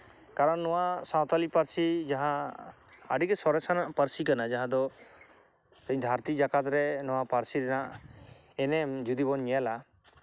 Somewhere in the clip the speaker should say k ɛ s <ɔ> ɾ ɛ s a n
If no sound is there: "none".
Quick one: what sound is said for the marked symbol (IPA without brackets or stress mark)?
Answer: ɔ